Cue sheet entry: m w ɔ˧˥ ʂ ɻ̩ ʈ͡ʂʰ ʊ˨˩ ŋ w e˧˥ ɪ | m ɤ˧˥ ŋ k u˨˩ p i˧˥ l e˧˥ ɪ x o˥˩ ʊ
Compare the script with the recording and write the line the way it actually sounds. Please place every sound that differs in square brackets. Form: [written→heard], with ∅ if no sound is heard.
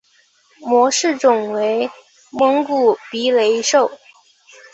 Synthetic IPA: m w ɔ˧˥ ʂ ɻ̩ [ʈ͡ʂʰ→ʈ͡ʂ] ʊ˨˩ ŋ w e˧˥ ɪ | m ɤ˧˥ ŋ k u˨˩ p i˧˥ l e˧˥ ɪ [x→ʂ] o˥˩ ʊ